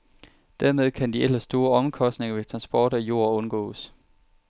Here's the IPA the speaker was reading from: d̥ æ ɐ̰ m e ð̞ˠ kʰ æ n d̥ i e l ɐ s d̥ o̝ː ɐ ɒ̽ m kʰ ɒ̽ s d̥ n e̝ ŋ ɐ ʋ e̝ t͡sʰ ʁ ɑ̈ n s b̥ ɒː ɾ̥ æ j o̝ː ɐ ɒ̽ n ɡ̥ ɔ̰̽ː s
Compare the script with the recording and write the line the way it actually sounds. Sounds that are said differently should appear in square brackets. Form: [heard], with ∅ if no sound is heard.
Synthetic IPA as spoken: d̥ æ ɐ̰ m e ð̞ˠ kʰ æ n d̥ i e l ɐ s d̥ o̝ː ɐ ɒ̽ m kʰ ɒ̽ s d̥ n e̝ ŋ ɐ ʋ e̝ t͡sʰ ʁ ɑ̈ n s b̥ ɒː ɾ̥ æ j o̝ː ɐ [ɔ̽] n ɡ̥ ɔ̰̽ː s